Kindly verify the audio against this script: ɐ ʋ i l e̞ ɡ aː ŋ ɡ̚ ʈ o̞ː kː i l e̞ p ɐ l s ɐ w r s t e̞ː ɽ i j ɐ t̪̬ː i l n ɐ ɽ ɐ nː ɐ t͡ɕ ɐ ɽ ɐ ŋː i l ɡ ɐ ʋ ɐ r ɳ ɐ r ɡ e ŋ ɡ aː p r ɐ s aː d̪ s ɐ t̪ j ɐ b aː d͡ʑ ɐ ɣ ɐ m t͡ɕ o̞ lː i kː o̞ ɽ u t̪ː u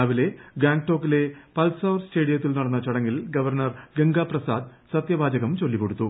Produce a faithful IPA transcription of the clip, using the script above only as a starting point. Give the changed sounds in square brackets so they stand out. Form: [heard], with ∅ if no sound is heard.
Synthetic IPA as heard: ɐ ʋ i l e̞ ɡ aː ŋ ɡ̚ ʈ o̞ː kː i l e̞ p ɐ l s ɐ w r s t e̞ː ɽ i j ɐ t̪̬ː i l n ɐ ɽ ɐ nː ɐ t͡ɕ ɐ ɽ ɐ ŋː i l ɡ ɐ ʋ ɐ r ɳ ɐ r ɡ e ŋ ɡ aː p r ɐ s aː d̪ s ɐ t̪ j ɐ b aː d͡ʑ ɐ ɣ ɐ m t͡ɕ o̞ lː i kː o̞ ɽ u t̪ː u

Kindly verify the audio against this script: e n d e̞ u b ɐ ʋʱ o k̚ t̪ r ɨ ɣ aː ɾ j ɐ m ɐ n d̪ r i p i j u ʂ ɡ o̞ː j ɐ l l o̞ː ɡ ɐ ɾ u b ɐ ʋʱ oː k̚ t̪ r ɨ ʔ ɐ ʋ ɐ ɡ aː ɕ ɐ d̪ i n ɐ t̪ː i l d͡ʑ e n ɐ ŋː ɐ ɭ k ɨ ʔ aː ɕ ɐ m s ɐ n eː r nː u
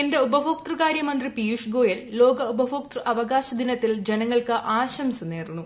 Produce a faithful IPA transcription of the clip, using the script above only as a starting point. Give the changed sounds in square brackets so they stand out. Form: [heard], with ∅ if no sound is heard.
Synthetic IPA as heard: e n d e̞ u b ɐ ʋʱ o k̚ t̪ r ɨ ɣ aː ɾ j ɐ m ɐ n d̪ r i p i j u ʂ ɡ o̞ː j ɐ l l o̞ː ɡ ɐ [∅] u b ɐ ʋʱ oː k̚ t̪ r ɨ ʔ ɐ ʋ ɐ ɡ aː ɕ ɐ d̪ i n ɐ t̪ː i l d͡ʑ e n ɐ ŋː ɐ ɭ k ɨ ʔ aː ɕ ɐ m s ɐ n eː r nː u

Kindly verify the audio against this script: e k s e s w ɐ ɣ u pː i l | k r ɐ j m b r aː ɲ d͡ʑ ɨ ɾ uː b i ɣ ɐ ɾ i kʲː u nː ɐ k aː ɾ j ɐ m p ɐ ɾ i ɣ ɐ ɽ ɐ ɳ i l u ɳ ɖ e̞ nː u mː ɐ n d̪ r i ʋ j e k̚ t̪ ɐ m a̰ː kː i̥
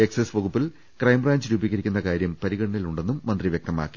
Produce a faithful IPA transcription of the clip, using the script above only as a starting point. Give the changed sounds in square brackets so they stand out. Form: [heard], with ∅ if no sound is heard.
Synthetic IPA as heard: e k s e s [ʋ] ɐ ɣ u pː i l | k r ɐ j m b r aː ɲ d͡ʑ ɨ ɾ uː b i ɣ ɐ ɾ i kʲː u nː ɐ k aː ɾ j ɐ m p ɐ ɾ i ɣ ɐ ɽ ɐ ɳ i l u ɳ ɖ e̞ nː u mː ɐ n d̪ r i ʋ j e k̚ t̪ ɐ m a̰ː kː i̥

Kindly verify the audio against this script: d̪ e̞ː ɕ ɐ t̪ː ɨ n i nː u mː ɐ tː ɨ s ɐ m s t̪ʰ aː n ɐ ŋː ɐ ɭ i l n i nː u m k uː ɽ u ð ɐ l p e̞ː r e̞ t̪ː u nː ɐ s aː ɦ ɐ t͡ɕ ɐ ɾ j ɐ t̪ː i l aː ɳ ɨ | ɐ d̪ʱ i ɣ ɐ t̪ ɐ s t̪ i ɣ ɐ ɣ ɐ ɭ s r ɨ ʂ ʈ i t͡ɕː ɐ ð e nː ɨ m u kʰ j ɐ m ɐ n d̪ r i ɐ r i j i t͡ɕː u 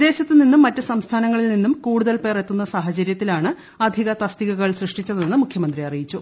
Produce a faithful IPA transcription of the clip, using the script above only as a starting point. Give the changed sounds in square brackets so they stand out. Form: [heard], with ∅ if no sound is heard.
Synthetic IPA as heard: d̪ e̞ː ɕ ɐ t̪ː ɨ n i nː u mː ɐ tː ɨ s ɐ m s t̪ʰ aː n ɐ ŋː ɐ ɭ i l n i nː u m k uː ɽ u ð ɐ l p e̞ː r e̞ t̪ː u nː ɐ s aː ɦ ɐ t͡ɕ ɐ ɾ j ɐ t̪ː i l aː ɳ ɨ | ɐ d̪ʱ i ɣ ɐ t̪ ɐ s t̪ i ɣ ɐ ɣ ɐ ɭ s r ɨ ʂ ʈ i t͡ɕː ɐ ð e nː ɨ m u kʰ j ɐ m ɐ n d̪ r i ɐ r i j i t͡ɕː u

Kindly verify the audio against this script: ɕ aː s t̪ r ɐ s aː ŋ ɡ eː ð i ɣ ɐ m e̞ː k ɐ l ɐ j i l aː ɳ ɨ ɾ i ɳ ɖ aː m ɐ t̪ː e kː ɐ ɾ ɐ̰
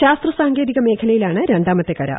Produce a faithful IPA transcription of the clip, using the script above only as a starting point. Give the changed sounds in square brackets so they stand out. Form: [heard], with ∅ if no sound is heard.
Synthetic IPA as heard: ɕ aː s t̪ r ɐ s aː ŋ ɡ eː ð i ɣ ɐ m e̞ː [kʰ] ɐ l ɐ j i l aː ɳ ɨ ɾ [e] ɳ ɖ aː m ɐ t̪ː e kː ɐ ɾ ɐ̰

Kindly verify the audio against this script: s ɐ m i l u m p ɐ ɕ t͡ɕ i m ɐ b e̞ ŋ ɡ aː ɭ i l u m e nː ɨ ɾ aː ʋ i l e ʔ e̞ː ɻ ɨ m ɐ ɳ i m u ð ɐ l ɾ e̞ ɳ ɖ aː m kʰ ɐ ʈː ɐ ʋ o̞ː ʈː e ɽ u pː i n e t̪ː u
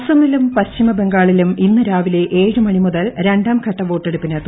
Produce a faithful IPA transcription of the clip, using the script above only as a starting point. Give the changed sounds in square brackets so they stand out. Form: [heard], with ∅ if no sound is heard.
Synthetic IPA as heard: s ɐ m i l u m p ɐ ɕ t͡ɕ i m ɐ b e̞ ŋ ɡ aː ɭ i l u m [i] nː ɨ ɾ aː ʋ i l e ʔ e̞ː ɻ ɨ m ɐ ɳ i m u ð ɐ l ɾ e̞ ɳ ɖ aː m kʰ ɐ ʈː ɐ ʋ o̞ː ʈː e ɽ u pː i n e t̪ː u

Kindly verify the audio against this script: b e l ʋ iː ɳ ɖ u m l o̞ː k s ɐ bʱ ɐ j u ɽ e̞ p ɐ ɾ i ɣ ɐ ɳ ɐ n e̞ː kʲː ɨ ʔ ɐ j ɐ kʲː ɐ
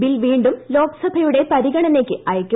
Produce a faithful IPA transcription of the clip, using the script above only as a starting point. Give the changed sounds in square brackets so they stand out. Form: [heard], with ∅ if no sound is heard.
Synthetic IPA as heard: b [i] l ʋ iː ɳ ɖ u m l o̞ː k s ɐ bʱ ɐ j u ɽ e̞ p ɐ ɾ i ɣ ɐ ɳ ɐ n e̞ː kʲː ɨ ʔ ɐ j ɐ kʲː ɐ

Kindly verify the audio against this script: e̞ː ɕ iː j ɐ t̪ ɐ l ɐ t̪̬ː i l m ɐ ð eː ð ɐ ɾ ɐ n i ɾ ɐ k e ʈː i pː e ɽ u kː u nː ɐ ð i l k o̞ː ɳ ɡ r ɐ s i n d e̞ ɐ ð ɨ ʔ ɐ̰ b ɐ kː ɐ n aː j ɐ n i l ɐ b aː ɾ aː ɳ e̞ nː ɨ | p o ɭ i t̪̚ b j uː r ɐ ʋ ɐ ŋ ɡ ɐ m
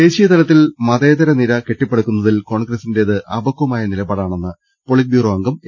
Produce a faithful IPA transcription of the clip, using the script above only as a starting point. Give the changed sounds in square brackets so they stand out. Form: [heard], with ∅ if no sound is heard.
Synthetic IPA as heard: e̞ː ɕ [i] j ɐ t̪ ɐ l ɐ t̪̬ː i l m ɐ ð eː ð ɐ ɾ ɐ n i ɾ ɐ k e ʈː i pː e ɽ u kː u nː ɐ ð i l k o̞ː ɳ ɡ r ɐ s i n d e̞ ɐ ð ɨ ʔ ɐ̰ b ɐ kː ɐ [m] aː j ɐ n i l ɐ b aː [ɽ] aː ɳ e̞ nː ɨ | p o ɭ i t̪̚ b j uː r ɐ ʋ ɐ ŋ ɡ ɐ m

